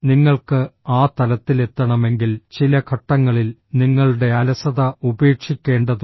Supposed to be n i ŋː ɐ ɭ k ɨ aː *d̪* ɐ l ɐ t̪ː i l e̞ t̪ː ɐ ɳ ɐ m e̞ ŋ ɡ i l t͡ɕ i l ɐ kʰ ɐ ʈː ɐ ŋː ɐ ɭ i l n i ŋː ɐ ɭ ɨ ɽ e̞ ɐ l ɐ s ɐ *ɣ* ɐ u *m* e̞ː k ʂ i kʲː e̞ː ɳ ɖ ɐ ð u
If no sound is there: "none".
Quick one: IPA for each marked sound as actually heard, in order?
t̪, ð, b

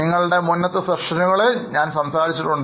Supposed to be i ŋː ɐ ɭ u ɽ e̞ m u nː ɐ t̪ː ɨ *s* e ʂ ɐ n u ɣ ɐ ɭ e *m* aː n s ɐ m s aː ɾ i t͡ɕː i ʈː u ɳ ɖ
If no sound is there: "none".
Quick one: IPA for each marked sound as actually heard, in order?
s, ɲ

